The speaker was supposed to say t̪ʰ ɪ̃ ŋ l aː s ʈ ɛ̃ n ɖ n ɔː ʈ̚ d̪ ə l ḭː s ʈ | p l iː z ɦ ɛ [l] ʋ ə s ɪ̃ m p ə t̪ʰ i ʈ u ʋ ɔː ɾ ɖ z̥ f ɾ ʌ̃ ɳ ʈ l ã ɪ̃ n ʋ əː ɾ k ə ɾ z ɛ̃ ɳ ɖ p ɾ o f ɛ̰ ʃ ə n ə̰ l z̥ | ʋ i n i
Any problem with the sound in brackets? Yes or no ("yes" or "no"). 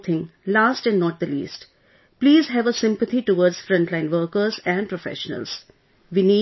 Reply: yes